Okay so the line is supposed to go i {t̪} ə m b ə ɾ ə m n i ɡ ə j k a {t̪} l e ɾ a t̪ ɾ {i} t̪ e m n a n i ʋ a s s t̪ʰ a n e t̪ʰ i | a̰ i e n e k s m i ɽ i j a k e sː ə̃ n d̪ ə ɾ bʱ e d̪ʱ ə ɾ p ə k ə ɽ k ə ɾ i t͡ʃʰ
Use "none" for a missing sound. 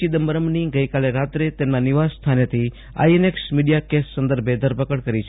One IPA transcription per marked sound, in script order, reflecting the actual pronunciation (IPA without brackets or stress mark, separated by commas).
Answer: d̪, none, e